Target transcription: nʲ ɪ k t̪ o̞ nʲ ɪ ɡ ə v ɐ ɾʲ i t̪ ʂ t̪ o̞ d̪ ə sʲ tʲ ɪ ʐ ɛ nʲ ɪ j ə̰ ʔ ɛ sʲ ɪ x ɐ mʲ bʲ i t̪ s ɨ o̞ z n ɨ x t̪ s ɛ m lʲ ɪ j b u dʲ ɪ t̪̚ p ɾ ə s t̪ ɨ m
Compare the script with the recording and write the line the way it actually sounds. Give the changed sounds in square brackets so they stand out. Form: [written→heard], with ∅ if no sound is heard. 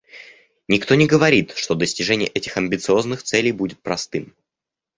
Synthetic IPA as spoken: nʲ ɪ k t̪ o̞ nʲ ɪ ɡ ə v ɐ ɾʲ i t̪ ʂ t̪ o̞ d̪ ə sʲ tʲ ɪ ʐ ɛ nʲ ɪ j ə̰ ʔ ɛ [sʲ→tʲ] ɪ x ɐ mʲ bʲ [i→ɪ] t̪ s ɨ o̞ z n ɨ x t̪ s ɛ [m→∅] lʲ ɪ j b u dʲ ɪ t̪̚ p ɾ [ə→ɐ] s t̪ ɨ m